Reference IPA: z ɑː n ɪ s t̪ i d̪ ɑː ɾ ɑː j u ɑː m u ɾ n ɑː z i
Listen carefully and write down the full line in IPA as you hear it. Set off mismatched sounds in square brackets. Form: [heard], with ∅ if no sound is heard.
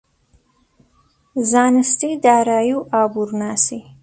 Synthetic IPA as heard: z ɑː n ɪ s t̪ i d̪ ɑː ɾ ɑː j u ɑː [b] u ɾ n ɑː [s] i

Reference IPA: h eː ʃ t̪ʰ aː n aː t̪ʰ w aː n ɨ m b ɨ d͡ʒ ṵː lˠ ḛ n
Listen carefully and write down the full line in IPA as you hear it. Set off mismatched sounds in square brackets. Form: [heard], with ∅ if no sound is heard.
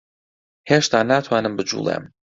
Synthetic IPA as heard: h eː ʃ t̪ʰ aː n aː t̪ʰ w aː n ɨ m b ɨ d͡ʒ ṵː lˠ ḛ [m]

